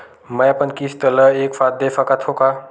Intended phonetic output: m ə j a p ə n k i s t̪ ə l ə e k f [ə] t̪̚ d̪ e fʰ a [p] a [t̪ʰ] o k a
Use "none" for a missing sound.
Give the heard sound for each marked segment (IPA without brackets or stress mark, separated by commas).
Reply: a, k, t̪ʰ